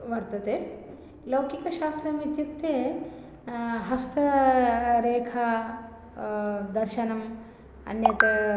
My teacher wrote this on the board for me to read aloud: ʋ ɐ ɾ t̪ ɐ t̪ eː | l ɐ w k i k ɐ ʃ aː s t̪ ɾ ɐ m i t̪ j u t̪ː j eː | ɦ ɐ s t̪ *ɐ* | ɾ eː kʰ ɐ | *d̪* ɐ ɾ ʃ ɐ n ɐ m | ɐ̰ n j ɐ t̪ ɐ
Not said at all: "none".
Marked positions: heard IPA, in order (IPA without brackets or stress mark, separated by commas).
ɐ, d̪